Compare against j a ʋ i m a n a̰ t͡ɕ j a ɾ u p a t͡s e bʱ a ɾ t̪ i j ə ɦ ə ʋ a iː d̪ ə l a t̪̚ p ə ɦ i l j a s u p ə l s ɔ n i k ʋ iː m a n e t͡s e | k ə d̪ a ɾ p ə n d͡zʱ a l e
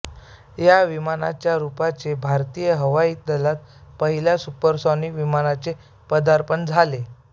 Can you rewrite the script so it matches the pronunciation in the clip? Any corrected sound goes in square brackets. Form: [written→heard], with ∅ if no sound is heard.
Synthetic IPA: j a ʋ i m a n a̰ t͡ɕ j a ɾ u p a t͡s e bʱ a ɾ t̪ i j ə ɦ ə ʋ a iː d̪ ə l a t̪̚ p ə ɦ i l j a s u p ə [l→ɾ] s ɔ n i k ʋ [iː→i] m a n [e→a] t͡s e | [k→p] ə d̪ a ɾ p ə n d͡zʱ a l e